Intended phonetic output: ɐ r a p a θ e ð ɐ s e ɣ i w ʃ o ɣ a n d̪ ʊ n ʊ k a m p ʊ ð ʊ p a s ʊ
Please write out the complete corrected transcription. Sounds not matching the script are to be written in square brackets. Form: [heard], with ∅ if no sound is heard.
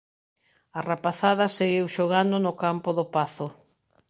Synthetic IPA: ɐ r a p a θ [a] ð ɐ s e ɣ i w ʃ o ɣ a n d̪ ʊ n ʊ k a m p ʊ ð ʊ p a [θ] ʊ